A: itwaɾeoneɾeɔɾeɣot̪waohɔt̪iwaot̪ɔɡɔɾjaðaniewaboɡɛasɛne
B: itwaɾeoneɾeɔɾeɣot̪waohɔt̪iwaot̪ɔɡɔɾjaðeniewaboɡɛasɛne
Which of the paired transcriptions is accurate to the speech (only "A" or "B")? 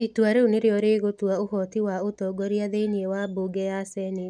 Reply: B